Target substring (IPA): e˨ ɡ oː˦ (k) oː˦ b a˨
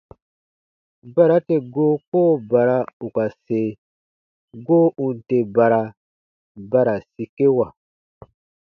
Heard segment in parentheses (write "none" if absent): k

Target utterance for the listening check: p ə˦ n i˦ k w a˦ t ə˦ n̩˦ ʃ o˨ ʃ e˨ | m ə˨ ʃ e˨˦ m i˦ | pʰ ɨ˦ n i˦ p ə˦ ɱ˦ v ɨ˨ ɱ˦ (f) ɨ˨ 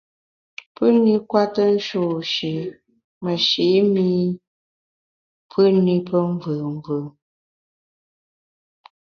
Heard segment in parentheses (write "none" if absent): v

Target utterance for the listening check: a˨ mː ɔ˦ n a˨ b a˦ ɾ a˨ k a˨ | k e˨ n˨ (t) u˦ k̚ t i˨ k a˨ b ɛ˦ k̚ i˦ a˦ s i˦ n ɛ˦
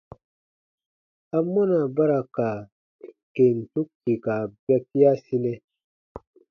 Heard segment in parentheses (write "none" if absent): t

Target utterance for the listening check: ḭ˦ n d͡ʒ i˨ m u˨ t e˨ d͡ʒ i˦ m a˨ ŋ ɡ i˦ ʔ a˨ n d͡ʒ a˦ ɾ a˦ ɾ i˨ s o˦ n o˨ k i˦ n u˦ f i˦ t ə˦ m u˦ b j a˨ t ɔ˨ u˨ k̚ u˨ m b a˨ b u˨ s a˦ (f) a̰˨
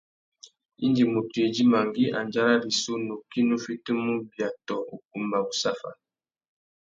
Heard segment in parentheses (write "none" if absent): f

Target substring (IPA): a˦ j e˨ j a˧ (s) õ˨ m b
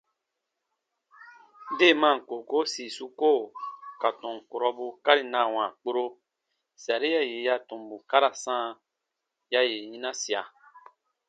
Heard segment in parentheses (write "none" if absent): t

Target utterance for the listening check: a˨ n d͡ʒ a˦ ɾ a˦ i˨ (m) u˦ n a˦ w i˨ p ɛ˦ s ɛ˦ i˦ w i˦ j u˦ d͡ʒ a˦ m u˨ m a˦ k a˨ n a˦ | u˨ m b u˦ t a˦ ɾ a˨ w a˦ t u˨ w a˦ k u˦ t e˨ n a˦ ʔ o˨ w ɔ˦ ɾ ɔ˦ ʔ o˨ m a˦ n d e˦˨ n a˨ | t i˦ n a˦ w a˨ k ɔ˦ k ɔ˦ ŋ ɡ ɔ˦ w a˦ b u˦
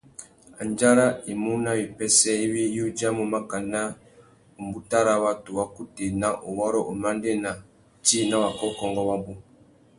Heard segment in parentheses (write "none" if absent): m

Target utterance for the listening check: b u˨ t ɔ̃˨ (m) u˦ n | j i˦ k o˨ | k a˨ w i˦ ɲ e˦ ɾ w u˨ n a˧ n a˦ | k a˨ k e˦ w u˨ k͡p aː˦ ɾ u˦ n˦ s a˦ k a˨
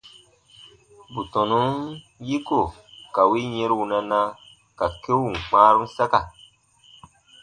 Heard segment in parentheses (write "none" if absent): n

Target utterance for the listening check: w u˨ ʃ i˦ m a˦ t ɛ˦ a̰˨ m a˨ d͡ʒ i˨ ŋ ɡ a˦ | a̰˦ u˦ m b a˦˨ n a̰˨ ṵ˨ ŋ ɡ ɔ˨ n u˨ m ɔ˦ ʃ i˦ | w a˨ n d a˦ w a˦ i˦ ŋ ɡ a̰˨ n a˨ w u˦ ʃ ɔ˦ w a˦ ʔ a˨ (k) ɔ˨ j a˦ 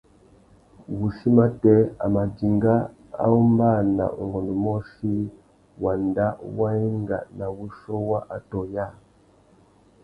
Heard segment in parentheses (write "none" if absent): t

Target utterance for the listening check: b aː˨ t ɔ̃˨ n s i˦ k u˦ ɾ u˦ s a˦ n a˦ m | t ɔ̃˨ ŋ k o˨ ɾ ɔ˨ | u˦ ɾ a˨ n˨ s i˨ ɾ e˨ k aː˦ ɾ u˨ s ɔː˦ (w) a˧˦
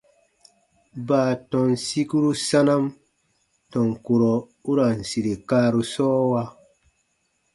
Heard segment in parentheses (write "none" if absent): w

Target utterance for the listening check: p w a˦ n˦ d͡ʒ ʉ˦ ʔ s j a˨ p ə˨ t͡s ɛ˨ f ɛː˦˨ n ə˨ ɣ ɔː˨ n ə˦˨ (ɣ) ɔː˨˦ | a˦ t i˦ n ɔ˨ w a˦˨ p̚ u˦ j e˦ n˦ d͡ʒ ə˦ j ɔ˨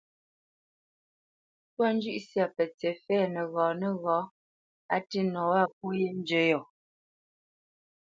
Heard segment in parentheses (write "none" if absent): ɣ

